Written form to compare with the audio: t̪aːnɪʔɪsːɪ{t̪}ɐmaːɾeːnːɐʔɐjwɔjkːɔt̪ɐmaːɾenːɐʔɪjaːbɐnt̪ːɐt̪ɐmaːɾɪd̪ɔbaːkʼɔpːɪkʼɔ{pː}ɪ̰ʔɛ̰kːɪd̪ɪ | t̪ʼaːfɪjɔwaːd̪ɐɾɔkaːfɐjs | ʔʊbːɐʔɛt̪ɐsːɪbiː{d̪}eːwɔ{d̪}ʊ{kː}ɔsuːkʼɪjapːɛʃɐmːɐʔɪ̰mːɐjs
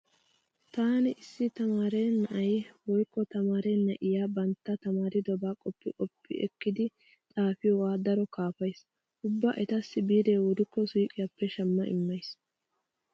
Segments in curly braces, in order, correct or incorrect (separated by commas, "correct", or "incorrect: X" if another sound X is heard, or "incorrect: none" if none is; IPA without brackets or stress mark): correct, correct, correct, correct, correct